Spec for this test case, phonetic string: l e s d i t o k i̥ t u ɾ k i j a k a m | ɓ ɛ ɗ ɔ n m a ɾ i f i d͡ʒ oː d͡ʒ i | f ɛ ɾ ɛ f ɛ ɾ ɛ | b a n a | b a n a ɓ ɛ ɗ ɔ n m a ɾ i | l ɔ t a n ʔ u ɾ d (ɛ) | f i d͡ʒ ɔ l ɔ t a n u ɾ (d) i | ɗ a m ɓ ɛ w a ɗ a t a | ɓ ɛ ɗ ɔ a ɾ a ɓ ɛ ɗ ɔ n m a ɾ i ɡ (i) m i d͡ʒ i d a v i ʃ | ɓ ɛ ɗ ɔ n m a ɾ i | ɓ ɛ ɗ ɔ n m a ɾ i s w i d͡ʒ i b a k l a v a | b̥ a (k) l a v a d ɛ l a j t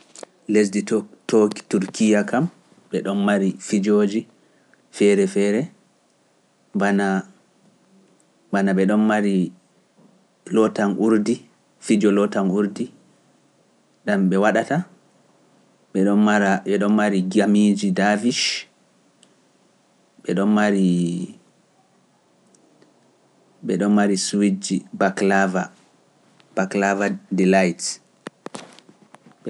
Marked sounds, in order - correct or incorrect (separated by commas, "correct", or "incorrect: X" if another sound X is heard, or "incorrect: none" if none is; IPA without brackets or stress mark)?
incorrect: i, correct, incorrect: a, correct